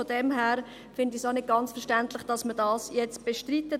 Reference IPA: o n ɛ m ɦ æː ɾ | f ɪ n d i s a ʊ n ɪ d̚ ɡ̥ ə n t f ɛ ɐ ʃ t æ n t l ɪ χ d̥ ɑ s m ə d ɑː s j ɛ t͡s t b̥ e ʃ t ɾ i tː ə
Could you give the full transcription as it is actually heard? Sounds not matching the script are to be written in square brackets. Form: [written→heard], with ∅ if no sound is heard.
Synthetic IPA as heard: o [n→d] ɛ m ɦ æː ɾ | f ɪ n d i s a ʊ n ɪ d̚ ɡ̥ [ə→ɑ] n [t→t͡s] f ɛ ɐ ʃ t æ n t l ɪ χ d̥ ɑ s m ə d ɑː s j ɛ t͡s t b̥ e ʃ t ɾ i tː ə